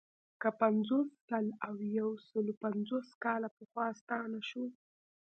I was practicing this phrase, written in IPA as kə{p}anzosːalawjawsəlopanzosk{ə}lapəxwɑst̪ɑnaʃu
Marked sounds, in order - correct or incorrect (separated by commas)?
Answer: correct, incorrect